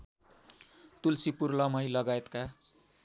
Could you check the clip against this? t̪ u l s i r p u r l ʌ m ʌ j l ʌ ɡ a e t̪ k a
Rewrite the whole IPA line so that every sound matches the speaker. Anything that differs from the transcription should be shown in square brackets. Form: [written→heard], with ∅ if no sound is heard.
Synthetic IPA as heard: t̪ u l s i [r→∅] p u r l ʌ m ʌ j l ʌ ɡ a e t̪ k a